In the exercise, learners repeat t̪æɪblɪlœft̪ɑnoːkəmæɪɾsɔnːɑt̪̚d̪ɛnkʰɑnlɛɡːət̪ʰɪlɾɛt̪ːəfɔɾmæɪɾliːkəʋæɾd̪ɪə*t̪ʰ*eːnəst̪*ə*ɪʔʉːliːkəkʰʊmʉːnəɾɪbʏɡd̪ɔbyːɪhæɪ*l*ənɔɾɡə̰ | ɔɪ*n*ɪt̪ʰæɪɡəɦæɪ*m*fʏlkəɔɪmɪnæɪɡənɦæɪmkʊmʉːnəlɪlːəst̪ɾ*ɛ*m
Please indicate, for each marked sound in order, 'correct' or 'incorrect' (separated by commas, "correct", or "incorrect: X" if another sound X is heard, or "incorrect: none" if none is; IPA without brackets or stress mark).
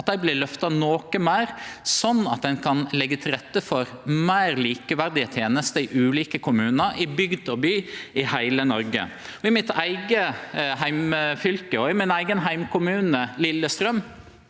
correct, correct, correct, incorrect: m, correct, incorrect: œ